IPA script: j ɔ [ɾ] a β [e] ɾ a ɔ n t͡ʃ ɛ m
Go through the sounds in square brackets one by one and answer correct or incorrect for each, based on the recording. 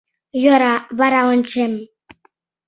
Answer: correct, incorrect: a

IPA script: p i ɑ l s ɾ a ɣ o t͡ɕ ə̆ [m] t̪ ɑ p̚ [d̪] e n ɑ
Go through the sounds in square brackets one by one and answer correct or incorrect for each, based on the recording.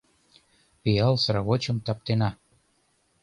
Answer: correct, incorrect: t̪

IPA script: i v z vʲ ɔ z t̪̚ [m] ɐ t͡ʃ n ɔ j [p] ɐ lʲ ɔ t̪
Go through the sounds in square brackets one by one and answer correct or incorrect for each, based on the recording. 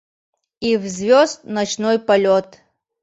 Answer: incorrect: n, correct

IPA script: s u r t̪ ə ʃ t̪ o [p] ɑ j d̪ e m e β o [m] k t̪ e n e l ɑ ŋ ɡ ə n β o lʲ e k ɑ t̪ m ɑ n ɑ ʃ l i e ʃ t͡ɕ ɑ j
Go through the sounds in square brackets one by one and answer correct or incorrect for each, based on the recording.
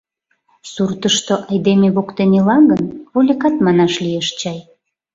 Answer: incorrect: ʔ, incorrect: none

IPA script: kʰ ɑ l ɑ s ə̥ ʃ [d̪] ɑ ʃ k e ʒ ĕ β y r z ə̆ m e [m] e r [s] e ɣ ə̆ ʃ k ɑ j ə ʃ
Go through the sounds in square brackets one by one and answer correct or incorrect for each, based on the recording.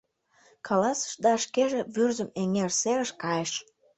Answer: correct, incorrect: ŋ, correct

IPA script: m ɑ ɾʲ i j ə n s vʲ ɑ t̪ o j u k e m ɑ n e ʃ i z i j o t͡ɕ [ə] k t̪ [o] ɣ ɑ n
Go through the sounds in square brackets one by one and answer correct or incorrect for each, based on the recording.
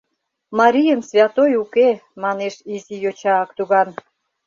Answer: incorrect: ɑ, incorrect: u

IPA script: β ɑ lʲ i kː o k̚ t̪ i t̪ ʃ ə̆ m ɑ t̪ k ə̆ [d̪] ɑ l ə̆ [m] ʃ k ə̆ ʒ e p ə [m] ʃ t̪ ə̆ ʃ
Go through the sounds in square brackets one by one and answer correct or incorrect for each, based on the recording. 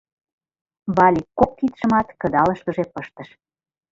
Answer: correct, incorrect: none, incorrect: none

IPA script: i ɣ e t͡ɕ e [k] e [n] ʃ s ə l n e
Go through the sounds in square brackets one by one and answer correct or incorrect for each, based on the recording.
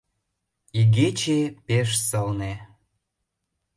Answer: incorrect: p, incorrect: none

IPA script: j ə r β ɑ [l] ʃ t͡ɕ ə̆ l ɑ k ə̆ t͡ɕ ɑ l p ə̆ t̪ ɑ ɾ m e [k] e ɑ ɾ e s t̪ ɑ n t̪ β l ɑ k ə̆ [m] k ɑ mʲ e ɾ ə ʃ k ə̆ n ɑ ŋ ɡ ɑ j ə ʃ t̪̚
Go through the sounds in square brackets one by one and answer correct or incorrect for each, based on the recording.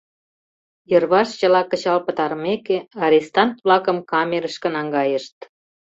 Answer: incorrect: none, correct, correct

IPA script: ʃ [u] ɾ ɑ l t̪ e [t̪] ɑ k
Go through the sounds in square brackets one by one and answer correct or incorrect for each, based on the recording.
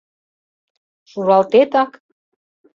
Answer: correct, correct

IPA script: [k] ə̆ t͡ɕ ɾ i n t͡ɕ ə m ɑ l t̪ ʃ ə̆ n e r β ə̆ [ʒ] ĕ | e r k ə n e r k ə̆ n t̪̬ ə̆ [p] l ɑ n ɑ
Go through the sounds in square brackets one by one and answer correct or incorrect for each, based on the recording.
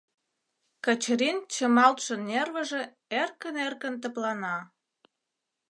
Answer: correct, correct, correct

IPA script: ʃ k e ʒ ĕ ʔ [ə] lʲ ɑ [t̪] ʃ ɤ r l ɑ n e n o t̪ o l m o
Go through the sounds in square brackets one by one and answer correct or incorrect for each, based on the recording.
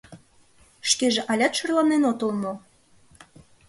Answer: incorrect: ɑ, correct

